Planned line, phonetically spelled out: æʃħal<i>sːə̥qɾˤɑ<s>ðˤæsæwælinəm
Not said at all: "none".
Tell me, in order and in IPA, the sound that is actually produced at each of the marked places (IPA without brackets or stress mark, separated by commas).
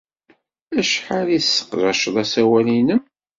i, ʃ